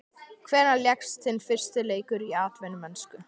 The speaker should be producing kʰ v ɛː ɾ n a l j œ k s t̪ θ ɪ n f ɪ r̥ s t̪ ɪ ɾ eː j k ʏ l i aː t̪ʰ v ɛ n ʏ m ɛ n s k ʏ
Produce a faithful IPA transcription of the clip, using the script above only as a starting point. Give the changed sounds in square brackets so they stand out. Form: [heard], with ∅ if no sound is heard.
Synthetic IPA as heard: kʰ v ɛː ɾ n a l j [ɛ] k s t̪ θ ɪ n f ɪ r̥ s t̪ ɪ [l] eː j k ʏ [ɾ] i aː [t̪] v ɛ n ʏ m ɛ n s k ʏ